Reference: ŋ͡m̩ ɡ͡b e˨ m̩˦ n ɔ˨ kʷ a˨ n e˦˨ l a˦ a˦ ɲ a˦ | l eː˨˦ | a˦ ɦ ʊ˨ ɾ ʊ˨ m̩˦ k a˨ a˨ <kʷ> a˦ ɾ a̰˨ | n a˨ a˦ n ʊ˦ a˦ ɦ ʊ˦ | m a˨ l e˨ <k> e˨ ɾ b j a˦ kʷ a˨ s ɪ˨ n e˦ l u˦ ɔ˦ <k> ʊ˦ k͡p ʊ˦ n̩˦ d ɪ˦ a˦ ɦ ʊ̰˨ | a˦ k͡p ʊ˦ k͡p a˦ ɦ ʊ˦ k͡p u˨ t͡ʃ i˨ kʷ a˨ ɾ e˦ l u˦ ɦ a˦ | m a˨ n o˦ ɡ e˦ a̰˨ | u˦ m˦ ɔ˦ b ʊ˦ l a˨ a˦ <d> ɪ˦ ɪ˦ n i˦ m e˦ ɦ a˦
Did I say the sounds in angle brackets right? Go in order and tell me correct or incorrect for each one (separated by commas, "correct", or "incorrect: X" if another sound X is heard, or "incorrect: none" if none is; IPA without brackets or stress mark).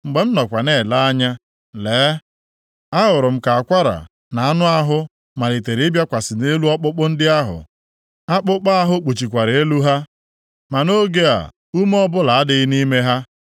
correct, incorrect: t, incorrect: k͡p, correct